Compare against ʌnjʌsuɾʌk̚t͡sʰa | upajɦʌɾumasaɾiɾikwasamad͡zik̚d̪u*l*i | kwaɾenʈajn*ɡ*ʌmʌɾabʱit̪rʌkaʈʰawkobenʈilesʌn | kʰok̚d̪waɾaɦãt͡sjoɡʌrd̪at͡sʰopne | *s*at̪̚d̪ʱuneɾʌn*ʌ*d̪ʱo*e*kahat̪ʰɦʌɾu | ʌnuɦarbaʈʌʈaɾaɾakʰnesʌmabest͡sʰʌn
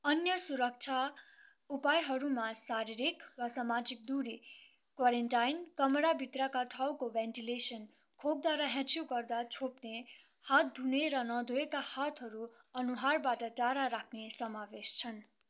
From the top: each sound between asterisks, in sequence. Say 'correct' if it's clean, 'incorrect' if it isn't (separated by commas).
incorrect, incorrect, incorrect, correct, correct